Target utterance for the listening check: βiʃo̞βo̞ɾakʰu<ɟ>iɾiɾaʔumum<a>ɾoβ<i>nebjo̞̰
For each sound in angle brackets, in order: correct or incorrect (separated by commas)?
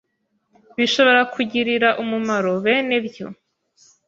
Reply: correct, correct, incorrect